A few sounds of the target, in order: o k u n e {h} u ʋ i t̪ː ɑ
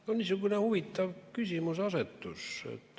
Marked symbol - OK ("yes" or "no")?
yes